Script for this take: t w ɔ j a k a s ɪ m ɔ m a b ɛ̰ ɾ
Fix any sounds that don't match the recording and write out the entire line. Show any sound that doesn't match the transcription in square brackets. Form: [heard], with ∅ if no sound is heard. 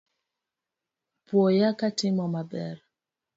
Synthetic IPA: [p] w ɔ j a k a [t] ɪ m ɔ m a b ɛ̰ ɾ